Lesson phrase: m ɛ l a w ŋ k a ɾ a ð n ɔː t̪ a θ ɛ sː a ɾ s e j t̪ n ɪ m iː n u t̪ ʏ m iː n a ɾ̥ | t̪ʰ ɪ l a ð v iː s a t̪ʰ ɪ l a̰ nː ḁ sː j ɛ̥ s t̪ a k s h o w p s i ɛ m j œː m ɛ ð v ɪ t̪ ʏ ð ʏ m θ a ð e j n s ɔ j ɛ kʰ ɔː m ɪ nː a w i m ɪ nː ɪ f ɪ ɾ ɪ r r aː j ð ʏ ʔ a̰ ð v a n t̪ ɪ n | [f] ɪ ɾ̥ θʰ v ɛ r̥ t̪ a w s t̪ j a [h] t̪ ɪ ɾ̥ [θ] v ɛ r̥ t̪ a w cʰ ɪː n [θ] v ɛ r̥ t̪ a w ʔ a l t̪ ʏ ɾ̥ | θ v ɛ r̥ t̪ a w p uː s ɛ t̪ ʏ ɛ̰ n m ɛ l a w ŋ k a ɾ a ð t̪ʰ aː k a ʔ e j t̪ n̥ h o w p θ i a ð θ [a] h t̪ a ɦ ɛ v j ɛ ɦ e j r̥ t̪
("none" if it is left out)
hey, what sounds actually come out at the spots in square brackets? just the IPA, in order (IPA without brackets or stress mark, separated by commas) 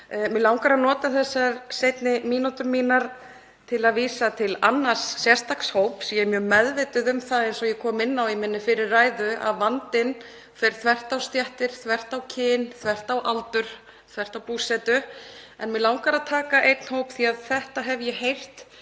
f, h, θ, θ, ɛ